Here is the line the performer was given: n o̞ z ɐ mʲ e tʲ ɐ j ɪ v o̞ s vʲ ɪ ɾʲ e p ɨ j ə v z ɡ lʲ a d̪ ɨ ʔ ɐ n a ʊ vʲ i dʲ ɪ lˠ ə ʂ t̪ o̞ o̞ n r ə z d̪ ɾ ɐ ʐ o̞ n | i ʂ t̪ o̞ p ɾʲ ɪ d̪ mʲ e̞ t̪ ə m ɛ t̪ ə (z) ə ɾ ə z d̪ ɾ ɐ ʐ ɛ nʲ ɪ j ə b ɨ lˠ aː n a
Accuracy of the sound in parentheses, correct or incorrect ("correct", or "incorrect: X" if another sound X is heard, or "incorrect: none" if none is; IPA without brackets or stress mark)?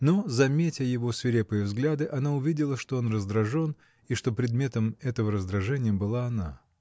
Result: incorrect: v